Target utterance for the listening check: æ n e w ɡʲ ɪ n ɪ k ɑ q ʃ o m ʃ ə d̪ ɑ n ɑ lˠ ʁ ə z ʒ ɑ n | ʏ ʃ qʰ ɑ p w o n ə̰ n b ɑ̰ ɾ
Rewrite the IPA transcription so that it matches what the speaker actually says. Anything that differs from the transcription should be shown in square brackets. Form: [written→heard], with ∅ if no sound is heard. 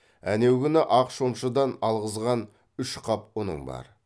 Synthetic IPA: æ n e w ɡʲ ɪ n ɪ [k→ʔ] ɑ q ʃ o m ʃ ə d̪ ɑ n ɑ lˠ ʁ ə z [ʒ→ʁ] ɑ n | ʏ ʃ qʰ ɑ p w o n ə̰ [n→ɴ] b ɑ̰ ɾ